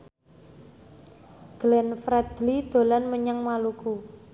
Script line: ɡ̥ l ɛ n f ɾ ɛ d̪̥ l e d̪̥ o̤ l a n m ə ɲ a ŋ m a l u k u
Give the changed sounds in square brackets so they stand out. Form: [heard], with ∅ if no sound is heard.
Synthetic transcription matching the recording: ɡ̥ l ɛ n f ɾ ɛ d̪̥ l [i] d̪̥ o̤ l a n m ə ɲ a ŋ m a l u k u